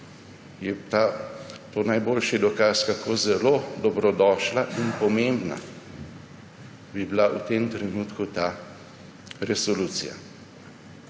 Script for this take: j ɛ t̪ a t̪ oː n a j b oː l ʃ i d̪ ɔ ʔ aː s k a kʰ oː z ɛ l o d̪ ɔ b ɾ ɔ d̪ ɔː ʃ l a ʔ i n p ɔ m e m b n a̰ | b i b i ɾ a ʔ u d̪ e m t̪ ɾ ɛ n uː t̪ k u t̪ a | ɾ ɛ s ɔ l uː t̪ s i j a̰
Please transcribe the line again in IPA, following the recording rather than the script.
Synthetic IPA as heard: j ɛ t̪ a t̪ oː n a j b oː l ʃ i d̪ ɔ k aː s k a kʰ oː z ɛ l o d̪ ɔ b ɾ ɔ d̪ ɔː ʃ l a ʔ i n p ɔ m e m b n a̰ | b i b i l a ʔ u t̪ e m t̪ ɾ ɛ n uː t̪ k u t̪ a | ɾ ɛ s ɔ l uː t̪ s i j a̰